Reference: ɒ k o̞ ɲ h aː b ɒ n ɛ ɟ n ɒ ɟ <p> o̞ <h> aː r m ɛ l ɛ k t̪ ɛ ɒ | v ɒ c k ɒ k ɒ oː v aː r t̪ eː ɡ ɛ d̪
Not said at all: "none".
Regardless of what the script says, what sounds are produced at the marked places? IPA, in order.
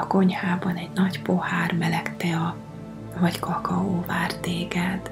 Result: p, h

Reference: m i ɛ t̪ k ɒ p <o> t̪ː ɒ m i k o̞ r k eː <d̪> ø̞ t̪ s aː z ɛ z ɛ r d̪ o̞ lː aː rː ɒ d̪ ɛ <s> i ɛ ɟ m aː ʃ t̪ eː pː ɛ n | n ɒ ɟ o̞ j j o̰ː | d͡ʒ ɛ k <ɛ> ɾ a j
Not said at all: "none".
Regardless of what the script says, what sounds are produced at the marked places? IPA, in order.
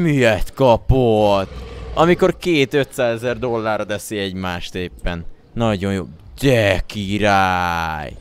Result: o, t̪, s, i

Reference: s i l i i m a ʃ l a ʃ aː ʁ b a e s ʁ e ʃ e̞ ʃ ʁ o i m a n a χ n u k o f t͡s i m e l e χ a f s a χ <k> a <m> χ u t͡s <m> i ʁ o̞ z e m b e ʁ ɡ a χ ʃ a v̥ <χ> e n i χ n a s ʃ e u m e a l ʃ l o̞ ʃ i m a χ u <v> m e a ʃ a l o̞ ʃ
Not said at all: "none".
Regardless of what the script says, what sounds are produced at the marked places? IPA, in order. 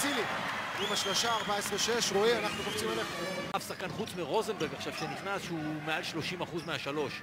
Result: k, n, m, ʃ, z

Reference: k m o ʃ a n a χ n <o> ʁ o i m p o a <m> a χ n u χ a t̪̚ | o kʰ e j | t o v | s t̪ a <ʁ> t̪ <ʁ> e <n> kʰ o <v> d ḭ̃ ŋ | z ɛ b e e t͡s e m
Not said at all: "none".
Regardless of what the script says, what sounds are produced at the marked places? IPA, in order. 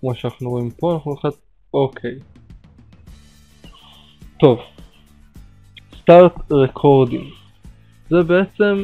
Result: u, n, ʁ, ʁ, none, ʁ

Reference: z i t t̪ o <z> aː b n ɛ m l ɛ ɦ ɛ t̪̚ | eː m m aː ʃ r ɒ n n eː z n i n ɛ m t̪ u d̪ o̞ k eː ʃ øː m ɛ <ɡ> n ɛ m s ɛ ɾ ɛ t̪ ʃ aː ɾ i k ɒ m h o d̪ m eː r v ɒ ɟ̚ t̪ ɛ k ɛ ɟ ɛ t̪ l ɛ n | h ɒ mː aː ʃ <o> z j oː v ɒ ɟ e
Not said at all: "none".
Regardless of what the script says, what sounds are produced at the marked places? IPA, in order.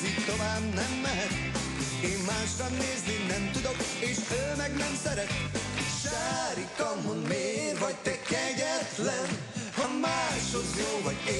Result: v, ɡ, o

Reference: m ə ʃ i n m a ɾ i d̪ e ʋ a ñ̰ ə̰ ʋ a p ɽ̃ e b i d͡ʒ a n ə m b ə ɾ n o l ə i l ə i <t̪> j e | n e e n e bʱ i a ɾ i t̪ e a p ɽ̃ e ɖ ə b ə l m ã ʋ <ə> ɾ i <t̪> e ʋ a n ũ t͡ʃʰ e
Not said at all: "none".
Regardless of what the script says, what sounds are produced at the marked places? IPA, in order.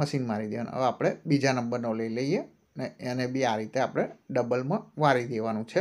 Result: none, a, d̪

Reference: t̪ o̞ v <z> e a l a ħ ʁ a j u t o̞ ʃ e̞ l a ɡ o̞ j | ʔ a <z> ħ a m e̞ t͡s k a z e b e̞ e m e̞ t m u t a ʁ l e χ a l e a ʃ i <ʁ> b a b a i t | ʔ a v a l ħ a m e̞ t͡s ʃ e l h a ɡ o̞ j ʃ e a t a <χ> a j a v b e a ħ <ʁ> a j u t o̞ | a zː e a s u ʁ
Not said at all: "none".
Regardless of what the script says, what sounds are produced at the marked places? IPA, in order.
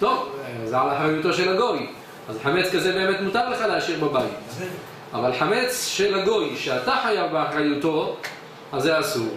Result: z, z, ʁ, ħ, ʁ

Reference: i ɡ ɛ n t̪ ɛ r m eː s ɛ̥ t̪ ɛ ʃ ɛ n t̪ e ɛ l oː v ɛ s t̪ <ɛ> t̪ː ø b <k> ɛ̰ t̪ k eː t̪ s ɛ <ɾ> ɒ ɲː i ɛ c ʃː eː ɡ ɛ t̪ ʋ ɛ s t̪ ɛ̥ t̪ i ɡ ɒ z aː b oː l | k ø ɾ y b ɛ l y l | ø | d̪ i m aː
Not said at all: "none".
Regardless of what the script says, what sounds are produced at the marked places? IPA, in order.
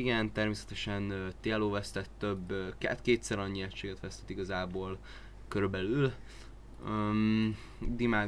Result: ɛ, k, ɾ

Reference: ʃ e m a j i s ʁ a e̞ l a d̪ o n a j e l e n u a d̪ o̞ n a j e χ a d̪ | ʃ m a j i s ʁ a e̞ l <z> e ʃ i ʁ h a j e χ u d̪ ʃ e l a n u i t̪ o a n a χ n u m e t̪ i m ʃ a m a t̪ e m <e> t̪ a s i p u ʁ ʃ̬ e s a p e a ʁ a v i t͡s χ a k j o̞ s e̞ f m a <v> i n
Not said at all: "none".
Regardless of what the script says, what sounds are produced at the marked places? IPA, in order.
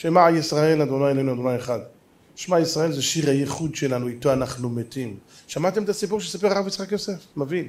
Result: z, e, v

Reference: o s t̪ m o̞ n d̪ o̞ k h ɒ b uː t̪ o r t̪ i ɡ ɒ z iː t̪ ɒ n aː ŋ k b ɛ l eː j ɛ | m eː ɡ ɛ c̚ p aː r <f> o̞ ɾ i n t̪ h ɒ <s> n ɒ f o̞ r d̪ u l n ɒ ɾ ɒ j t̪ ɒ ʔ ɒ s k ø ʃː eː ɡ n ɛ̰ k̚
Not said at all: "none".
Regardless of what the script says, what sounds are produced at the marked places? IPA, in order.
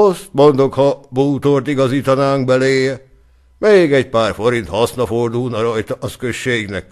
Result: f, s

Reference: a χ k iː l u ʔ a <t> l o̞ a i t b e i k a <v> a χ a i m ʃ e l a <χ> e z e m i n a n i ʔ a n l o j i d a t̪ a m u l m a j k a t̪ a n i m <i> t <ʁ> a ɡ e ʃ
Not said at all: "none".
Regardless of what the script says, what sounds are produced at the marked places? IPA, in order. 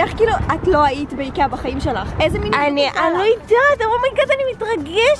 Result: t, b, χ, i, ʁ

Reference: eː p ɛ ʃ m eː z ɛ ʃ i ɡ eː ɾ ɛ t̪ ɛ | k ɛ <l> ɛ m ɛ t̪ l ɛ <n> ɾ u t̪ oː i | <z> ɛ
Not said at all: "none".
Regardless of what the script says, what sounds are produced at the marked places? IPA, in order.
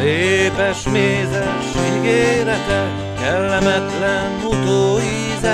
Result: lː, n, z

